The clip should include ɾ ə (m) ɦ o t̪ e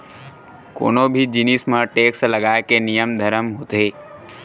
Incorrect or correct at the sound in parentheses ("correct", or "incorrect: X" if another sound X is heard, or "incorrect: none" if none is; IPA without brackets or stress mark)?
correct